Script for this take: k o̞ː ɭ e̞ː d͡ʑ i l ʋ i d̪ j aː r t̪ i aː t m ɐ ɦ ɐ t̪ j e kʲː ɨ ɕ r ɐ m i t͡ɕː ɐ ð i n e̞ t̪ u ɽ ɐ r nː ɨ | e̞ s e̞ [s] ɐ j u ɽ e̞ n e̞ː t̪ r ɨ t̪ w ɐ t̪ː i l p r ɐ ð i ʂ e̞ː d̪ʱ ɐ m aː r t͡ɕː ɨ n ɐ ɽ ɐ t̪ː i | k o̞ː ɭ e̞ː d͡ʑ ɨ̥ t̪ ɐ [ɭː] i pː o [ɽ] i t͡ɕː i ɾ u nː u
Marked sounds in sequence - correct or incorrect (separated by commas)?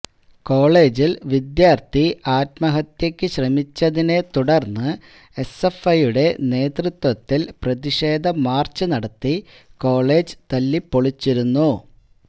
incorrect, incorrect, incorrect